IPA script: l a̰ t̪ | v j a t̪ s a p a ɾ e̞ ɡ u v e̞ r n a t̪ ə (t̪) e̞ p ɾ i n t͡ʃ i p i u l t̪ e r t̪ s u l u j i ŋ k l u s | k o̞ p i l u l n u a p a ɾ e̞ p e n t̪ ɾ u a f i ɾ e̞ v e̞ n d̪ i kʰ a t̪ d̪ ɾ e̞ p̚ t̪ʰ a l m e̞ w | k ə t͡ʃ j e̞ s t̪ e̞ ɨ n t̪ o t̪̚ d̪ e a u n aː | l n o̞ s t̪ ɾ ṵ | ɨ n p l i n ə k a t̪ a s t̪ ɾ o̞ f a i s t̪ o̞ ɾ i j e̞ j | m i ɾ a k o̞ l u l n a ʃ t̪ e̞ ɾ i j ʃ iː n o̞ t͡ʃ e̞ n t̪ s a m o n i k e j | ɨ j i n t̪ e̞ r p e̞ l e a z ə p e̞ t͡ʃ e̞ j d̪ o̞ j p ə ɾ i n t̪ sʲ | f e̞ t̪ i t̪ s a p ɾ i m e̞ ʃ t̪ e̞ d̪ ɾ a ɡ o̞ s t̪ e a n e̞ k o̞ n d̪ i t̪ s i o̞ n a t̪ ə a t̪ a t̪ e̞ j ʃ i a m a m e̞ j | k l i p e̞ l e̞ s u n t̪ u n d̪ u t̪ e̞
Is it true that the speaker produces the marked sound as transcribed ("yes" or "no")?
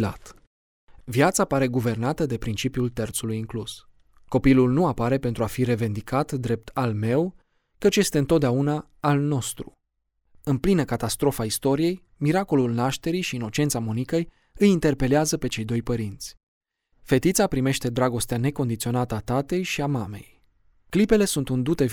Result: no